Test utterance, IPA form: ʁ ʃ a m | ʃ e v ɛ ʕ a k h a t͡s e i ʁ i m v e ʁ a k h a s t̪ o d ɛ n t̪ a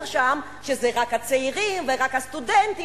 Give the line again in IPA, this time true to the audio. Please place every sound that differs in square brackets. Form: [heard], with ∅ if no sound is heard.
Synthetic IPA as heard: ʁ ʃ a m | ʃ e [z] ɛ [ʁ] a k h a t͡s e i ʁ i m v e ʁ a k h a s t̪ [u] d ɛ n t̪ [i]